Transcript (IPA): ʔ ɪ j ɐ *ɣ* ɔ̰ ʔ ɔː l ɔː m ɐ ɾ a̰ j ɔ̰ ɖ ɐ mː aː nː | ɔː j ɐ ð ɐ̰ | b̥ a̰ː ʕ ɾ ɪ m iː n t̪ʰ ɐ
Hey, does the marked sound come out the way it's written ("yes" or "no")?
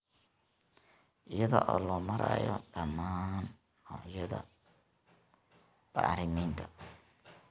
no